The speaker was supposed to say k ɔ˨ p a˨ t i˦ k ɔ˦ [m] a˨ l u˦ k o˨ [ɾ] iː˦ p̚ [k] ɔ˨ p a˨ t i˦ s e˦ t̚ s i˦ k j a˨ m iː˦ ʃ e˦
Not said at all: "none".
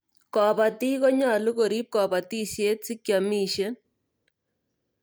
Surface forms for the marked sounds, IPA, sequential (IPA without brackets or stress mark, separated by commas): ɲ, ɾ, k